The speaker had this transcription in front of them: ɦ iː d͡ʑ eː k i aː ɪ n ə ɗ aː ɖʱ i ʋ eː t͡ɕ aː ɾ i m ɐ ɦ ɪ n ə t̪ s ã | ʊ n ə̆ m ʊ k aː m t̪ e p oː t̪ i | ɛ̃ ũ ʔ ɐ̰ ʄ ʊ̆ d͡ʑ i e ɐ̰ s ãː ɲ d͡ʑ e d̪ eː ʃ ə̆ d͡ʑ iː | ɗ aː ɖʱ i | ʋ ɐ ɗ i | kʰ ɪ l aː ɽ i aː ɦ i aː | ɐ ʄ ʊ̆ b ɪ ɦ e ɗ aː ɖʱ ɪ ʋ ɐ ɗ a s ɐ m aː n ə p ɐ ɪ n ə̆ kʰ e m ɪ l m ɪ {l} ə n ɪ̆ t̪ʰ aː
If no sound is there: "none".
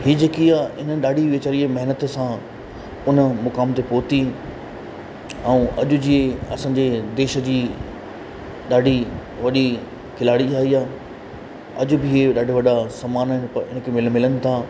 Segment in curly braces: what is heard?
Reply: l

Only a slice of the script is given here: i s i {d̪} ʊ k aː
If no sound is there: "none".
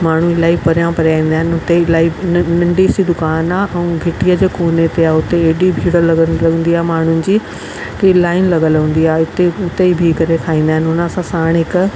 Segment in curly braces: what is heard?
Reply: d̪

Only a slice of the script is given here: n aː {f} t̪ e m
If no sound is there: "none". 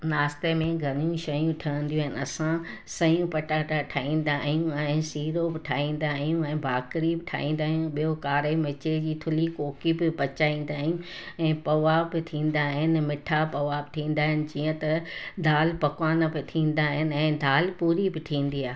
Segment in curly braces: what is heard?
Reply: s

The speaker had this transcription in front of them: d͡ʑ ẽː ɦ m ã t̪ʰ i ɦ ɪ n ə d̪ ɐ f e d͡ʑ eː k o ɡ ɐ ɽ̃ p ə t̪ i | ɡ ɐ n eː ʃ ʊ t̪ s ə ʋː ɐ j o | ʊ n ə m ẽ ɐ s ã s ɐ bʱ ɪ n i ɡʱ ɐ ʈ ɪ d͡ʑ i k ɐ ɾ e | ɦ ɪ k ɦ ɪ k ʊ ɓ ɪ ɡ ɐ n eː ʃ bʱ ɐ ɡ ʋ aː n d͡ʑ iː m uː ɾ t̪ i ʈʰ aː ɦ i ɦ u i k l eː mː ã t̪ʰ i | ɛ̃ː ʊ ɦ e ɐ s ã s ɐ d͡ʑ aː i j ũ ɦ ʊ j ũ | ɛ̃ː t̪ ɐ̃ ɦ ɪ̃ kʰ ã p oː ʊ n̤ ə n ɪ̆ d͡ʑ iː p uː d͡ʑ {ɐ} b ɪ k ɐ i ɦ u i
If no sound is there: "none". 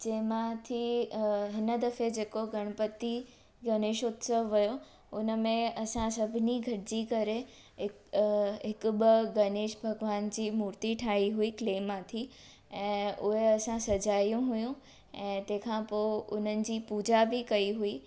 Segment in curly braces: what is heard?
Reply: a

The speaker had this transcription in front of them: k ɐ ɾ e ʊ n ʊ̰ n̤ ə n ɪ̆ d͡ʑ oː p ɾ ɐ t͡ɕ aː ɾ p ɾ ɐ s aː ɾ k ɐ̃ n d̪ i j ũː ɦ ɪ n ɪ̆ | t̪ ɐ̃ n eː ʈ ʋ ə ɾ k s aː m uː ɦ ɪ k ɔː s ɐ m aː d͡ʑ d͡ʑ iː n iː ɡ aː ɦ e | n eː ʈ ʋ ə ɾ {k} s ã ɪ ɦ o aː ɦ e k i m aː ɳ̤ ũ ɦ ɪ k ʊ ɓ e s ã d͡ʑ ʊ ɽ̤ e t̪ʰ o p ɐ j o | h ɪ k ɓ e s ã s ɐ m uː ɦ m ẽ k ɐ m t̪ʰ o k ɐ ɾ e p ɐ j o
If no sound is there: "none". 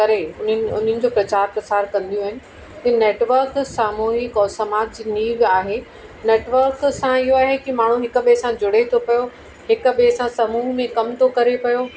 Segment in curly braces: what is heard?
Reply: k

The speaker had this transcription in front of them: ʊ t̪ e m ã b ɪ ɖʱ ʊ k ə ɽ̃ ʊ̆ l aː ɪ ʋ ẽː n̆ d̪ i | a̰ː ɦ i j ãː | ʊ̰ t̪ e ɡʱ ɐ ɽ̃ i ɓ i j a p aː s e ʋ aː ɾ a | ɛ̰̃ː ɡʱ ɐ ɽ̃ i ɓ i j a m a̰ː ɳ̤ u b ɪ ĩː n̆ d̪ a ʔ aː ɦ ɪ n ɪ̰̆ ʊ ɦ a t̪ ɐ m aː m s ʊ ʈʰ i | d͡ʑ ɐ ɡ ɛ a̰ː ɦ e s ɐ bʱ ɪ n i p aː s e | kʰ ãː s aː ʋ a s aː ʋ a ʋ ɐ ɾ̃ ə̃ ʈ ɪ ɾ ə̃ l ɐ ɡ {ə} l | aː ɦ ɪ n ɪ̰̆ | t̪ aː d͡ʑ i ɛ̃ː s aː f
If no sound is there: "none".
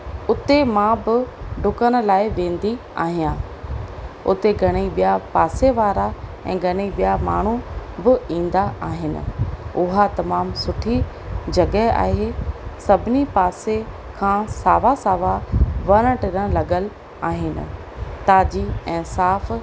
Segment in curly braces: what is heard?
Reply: ə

